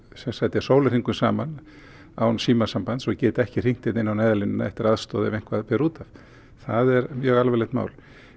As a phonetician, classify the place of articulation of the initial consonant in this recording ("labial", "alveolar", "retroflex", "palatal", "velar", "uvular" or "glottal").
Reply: alveolar